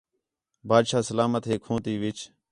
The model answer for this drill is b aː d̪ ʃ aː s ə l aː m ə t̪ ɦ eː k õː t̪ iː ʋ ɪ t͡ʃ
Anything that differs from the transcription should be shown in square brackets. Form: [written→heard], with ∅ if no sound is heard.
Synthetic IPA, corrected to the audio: b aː d̪ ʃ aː s ə l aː m ə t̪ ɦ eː [k→kʰ] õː t̪ iː ʋ ɪ t͡ʃ